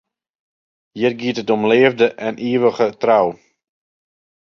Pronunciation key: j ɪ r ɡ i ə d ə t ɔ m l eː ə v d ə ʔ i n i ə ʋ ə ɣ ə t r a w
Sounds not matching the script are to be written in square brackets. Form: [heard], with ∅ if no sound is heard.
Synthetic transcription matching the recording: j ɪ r ɡ i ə [t] ə t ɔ m l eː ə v d ə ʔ [ɛ] n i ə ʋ ə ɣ ə t r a w

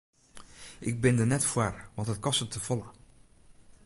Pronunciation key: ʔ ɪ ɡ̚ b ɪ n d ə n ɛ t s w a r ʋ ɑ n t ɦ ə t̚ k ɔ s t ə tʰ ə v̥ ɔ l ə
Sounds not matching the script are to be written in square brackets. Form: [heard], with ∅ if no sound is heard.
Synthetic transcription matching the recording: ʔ ɪ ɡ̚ b ɪ n d ə n ɛ t [f] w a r ʋ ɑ n t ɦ ə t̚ k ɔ s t ə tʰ ə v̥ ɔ l ə

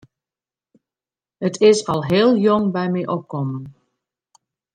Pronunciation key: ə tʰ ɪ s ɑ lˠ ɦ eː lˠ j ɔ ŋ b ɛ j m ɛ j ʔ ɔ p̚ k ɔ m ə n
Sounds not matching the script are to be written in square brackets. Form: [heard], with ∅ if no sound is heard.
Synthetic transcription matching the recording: ə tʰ ɪ s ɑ lˠ ɦ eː lˠ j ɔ ŋ b ɛ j m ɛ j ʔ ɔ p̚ k ɔ m ə n

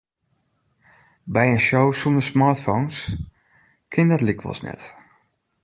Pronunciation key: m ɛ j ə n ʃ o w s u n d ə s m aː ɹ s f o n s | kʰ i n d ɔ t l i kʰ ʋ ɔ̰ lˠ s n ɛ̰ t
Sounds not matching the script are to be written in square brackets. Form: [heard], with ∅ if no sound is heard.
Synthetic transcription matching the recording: [b] ɛ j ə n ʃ o w s u n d ə s m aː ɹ [t] f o n s | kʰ [ɪ] n d ɔ t l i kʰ ʋ ɔ̰ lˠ s n ɛ̰ t

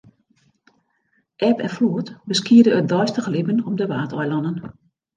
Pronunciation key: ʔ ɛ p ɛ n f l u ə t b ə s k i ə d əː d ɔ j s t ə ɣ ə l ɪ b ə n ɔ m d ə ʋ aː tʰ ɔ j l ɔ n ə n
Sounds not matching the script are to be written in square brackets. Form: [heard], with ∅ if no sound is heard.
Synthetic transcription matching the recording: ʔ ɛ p ɛ n f l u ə t b ə s k i ə d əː d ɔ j s t ə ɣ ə l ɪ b ə n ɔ m d ə ʋ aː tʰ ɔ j l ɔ n ə n

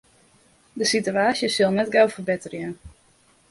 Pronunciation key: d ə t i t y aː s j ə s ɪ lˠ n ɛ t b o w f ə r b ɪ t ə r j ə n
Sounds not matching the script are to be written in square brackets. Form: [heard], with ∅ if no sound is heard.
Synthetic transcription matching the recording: d ə [s] i t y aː s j ə s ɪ lˠ n ɛ t [ɡ] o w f ə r b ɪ t ə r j ə n

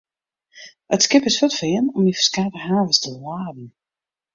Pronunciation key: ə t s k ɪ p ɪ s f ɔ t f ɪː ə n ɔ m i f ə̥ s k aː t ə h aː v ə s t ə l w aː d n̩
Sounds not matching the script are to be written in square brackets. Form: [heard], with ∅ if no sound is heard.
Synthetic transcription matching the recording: ə t s k ɪ p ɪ s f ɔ t f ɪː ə n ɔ m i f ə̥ s k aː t ə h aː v ə s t ə l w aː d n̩

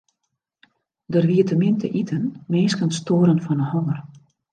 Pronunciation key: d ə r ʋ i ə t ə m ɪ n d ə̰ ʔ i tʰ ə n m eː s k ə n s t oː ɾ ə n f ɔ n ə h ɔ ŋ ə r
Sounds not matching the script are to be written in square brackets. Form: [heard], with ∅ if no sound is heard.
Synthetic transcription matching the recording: d ə r ʋ i ə t ə m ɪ n [t] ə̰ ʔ i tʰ ə n m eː s k ə n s t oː ɾ ə n f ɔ n ə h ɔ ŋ ə r

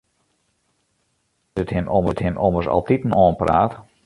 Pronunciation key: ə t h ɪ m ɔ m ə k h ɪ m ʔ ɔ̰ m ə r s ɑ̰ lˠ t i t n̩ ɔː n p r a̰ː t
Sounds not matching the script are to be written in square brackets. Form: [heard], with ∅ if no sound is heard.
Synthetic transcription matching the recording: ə t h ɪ m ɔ m ə [t] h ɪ m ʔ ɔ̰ m ə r s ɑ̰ lˠ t i t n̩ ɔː n p r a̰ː t

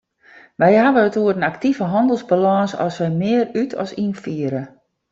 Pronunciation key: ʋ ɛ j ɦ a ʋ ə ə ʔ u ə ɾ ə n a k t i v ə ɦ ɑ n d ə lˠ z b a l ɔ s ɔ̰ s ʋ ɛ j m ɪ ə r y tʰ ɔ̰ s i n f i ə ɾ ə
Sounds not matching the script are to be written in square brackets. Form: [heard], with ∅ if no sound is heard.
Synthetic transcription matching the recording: ʋ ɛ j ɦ a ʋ ə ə [t] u ə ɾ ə n a k t i v ə ɦ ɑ n d ə lˠ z b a l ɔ s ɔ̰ s ʋ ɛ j m ɪ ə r y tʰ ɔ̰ s i n f i ə ɾ ə

